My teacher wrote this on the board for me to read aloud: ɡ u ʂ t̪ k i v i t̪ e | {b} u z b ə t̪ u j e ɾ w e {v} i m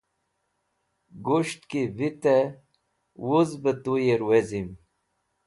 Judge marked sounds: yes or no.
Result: no, no

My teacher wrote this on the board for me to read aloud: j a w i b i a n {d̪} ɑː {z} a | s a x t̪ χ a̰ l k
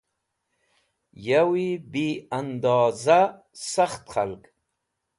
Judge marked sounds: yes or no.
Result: yes, yes

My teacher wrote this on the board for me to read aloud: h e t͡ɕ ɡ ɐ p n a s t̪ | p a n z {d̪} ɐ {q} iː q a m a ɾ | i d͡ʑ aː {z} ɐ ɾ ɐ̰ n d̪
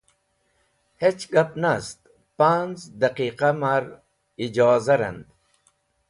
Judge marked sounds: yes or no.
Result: yes, yes, yes

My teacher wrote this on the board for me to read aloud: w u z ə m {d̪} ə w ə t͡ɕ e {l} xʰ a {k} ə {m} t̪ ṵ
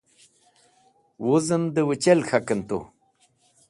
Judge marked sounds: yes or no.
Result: yes, yes, yes, no

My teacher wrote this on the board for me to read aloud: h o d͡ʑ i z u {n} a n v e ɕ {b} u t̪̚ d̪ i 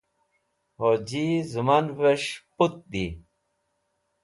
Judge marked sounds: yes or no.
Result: no, no

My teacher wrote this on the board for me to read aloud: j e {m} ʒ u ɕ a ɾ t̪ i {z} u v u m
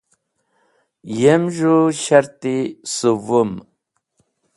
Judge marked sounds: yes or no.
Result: yes, no

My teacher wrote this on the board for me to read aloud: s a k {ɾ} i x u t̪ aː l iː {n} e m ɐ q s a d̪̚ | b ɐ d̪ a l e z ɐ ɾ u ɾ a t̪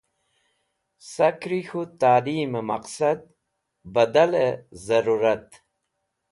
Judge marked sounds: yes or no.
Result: yes, no

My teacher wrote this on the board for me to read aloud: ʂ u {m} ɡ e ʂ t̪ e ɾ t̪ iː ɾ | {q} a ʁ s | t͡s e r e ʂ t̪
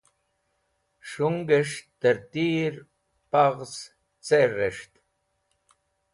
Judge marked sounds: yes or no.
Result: no, no

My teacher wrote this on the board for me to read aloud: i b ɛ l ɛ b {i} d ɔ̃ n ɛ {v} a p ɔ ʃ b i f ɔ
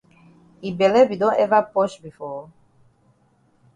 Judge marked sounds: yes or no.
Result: yes, yes

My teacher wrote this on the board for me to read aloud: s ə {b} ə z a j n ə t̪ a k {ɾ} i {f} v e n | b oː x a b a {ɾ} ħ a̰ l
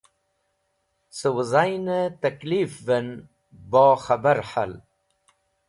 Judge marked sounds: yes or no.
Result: no, no, yes, yes

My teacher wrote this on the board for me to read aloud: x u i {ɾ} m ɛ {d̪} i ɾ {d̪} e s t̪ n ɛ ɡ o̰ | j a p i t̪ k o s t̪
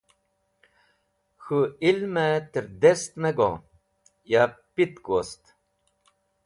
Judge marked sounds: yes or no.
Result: no, no, yes

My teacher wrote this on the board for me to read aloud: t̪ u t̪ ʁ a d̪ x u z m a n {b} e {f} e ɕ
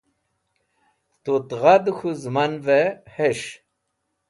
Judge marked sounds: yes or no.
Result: no, no

